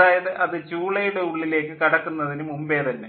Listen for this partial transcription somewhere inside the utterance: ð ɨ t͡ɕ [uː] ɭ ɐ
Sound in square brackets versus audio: correct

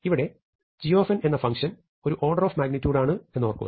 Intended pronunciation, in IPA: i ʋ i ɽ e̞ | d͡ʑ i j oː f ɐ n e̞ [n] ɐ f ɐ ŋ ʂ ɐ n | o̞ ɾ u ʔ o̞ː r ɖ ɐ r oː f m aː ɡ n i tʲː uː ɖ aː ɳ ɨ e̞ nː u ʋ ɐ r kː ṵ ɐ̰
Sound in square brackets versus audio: incorrect: nː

